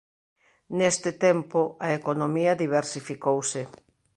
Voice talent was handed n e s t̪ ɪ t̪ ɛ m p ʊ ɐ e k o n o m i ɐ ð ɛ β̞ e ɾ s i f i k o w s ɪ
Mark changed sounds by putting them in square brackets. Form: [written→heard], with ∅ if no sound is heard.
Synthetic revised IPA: n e s t̪ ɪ t̪ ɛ m p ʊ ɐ e k o n o m i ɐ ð [ɛ→i] β̞ e ɾ s i f i k o w s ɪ